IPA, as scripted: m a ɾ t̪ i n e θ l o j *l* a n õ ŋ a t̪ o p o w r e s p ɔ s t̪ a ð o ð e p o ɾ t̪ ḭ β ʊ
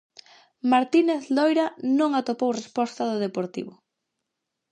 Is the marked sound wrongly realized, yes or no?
yes